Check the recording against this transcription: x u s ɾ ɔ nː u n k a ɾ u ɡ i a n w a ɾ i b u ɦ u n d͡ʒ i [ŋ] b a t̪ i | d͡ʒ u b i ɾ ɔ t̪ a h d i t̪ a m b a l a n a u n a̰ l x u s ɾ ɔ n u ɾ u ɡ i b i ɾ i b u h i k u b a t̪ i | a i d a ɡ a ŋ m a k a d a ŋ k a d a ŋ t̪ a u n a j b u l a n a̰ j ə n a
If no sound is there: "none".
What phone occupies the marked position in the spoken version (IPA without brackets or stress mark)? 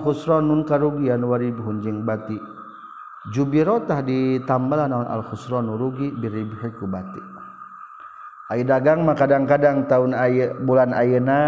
ŋ